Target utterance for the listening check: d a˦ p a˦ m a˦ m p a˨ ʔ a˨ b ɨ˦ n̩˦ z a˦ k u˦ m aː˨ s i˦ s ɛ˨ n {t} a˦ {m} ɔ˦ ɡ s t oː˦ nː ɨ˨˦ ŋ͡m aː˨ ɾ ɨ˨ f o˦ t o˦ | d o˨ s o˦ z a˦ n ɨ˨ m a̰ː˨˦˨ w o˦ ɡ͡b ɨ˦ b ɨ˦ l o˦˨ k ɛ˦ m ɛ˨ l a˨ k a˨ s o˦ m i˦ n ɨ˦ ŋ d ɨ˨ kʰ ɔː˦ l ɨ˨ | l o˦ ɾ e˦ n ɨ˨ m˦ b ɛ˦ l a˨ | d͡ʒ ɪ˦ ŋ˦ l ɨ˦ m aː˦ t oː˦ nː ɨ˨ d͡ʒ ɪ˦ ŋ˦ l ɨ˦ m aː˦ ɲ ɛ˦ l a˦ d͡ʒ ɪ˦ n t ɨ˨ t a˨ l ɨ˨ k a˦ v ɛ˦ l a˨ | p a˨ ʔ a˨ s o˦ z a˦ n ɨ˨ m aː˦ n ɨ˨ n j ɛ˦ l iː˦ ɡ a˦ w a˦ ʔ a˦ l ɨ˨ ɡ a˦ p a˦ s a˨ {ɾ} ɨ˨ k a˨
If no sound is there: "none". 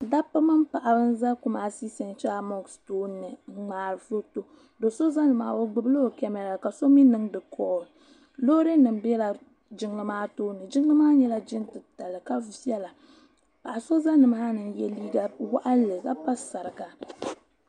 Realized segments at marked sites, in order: t͡ʃ, m, ɾ

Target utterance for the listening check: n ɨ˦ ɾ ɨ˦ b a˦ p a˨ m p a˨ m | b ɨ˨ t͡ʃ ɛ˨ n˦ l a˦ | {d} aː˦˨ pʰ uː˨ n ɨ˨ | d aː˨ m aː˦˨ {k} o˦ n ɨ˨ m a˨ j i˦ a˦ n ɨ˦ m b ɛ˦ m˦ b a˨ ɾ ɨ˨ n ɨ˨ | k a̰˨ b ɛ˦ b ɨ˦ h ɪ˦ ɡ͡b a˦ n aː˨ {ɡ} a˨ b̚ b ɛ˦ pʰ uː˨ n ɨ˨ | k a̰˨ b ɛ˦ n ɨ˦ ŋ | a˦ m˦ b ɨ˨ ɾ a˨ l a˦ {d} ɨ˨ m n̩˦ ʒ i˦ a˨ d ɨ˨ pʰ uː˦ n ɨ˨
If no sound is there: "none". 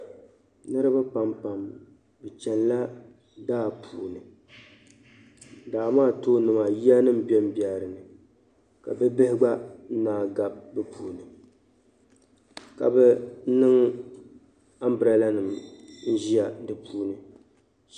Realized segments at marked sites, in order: d, t, ɡ, n

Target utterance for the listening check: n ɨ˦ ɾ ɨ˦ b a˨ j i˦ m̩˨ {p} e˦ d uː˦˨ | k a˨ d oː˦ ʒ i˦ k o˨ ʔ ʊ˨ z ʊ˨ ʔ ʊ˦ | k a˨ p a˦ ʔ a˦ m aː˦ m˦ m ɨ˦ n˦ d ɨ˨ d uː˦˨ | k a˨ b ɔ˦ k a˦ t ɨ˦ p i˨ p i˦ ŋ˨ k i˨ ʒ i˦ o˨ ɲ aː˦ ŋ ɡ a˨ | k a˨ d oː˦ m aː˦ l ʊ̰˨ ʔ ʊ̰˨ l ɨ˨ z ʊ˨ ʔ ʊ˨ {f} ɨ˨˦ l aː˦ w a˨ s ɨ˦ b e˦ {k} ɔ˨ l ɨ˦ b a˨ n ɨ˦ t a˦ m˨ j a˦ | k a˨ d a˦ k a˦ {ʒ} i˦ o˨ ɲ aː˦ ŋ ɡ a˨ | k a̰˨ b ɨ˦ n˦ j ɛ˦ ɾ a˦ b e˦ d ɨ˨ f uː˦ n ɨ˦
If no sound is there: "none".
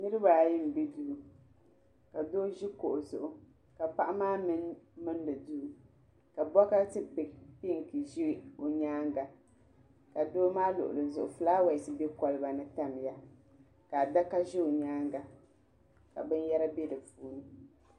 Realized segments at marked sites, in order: b, f, k, ʒ

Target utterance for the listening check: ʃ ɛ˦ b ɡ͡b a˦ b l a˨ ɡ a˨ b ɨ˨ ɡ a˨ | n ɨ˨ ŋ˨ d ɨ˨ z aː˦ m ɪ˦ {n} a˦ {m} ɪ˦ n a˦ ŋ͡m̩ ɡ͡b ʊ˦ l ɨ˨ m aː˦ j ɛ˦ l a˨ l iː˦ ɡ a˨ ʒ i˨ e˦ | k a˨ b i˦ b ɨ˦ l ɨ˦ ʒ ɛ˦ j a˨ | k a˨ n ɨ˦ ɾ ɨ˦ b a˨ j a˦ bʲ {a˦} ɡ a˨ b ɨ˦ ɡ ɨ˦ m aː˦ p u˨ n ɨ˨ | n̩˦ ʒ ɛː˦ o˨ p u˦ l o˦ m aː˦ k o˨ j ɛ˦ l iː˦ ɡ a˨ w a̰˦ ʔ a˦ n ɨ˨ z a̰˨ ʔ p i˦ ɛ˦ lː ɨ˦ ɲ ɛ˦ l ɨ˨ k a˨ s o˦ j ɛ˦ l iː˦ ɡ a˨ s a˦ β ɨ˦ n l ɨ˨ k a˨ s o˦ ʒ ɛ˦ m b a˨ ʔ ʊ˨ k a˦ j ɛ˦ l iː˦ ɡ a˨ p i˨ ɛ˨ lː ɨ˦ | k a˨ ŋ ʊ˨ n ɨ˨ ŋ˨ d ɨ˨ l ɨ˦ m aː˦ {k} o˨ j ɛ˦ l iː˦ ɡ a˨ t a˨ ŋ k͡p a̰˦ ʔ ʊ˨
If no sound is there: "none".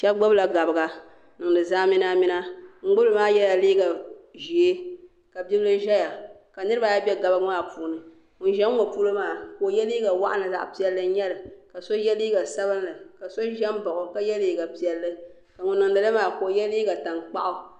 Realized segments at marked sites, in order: n, m, ɛ˦, k

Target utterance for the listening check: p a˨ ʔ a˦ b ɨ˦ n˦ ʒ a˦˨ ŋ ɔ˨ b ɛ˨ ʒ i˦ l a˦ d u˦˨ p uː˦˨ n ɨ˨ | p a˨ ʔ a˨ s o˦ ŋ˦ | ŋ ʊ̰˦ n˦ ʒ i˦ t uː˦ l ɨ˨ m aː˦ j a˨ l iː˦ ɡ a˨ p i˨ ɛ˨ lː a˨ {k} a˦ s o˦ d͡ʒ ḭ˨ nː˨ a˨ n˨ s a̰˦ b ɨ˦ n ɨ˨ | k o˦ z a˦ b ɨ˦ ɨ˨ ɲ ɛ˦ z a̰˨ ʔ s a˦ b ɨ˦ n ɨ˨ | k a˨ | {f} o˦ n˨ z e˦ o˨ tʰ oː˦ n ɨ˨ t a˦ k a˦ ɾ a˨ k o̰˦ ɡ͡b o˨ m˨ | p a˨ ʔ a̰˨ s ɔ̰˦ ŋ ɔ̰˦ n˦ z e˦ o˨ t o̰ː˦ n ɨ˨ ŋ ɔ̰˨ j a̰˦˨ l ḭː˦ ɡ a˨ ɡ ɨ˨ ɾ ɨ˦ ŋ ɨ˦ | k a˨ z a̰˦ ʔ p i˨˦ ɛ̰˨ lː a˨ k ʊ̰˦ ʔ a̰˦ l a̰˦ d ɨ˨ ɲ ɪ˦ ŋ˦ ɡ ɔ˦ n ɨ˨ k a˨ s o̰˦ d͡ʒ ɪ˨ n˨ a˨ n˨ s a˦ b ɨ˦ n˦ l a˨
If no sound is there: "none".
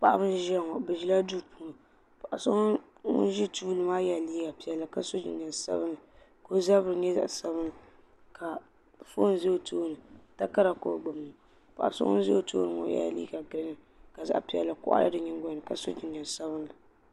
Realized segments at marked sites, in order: k, f

